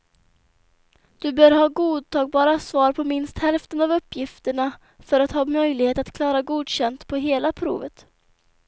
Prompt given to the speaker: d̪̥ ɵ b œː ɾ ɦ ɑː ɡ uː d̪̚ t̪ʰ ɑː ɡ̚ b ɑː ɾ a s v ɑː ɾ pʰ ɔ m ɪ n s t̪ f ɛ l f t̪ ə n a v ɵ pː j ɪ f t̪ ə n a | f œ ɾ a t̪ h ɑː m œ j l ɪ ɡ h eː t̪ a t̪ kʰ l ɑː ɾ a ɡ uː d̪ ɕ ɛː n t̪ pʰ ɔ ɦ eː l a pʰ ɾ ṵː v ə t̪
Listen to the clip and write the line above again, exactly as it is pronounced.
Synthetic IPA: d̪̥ ɵ b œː ɾ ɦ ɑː ɡ uː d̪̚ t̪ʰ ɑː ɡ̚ b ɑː ɾ a s v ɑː ɾ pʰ ɔ m ɪ n s t̪ h ɛ l f t̪ ə n a v ɵ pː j ɪ f t̪ ə ɳ a | f œ ɾ a t̪ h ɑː m œ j l ɪ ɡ h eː t̪ a t̪ kʰ l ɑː ɾ a ɡ uː d̪ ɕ ɛ n t̪ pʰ ɔ ɦ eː l a pʰ ɾ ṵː v ə t̪